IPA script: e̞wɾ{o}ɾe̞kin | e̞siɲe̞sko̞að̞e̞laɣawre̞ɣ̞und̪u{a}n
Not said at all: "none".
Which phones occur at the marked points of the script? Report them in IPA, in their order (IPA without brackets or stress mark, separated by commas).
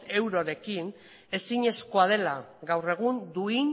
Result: o, i